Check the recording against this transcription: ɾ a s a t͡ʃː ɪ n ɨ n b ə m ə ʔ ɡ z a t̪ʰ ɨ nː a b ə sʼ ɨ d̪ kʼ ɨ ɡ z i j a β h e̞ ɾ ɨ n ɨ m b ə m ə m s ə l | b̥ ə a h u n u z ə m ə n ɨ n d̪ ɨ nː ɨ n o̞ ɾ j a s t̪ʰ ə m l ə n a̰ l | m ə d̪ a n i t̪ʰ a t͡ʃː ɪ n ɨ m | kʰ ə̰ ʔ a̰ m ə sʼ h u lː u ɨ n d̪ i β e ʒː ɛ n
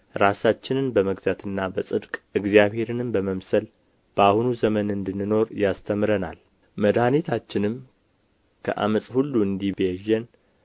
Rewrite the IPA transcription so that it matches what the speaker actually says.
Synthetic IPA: ɾ a s a t͡ʃː ɪ n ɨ n b ə m ə ɡ z a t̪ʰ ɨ nː a b ə sʼ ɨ d̪ kʼ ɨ ɡ z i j a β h e̞ ɾ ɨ n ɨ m b ə m ə m s ə l | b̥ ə a h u n u z ə m ə n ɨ n d̪ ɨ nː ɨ n o̞ ɾ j a s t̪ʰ ə m ɾ ə n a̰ l | m ə d̪ a n i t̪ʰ a t͡ʃː ɪ n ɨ m | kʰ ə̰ ʔ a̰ m ə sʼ h u lː u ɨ n d̪ i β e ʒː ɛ n